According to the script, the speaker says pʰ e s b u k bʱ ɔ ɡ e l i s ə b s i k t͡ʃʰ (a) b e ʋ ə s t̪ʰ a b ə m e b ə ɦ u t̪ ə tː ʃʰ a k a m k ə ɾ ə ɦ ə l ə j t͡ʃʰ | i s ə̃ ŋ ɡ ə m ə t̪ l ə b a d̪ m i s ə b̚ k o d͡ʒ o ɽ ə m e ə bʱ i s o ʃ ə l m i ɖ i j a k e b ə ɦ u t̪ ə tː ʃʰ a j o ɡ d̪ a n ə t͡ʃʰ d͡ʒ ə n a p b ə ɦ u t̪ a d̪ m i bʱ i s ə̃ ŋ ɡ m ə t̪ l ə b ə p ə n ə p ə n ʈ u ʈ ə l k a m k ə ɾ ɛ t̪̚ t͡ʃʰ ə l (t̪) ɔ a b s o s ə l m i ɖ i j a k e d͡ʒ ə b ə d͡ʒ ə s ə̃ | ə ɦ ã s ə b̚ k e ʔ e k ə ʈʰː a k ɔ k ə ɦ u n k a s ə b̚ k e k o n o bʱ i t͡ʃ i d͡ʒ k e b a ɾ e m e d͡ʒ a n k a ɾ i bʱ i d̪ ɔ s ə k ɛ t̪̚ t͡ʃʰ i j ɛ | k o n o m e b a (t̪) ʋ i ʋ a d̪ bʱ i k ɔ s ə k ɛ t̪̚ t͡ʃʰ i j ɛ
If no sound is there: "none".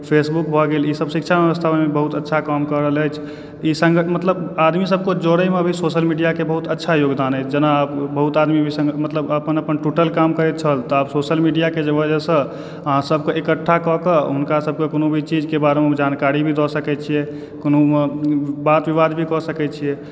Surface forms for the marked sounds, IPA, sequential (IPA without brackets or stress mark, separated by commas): a, t̪, t̪